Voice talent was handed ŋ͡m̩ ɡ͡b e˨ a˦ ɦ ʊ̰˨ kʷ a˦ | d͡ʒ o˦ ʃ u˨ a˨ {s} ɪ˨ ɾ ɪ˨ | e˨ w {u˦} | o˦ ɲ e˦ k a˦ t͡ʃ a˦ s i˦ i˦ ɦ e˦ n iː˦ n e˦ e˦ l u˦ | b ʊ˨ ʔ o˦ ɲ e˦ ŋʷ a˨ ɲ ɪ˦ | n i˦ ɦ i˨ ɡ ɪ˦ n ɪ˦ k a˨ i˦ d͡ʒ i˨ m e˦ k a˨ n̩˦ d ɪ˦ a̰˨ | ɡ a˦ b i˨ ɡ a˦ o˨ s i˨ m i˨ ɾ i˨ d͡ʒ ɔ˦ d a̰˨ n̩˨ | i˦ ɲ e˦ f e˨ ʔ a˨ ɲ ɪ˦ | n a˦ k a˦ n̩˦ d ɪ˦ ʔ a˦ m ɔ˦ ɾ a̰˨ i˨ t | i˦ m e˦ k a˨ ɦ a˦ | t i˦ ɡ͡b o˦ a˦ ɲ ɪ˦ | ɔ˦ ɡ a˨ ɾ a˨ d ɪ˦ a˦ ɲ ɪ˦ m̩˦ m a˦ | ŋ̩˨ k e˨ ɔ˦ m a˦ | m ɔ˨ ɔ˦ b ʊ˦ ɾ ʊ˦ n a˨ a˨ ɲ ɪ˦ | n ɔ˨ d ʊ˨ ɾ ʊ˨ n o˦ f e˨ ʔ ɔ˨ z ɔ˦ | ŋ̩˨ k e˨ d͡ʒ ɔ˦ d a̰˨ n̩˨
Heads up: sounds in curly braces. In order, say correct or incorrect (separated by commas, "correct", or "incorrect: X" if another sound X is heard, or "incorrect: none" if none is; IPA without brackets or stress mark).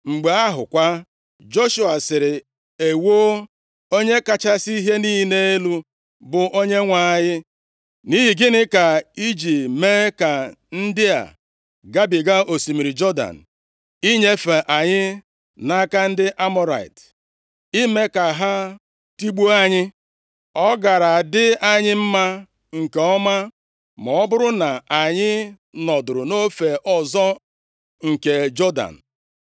correct, incorrect: o˦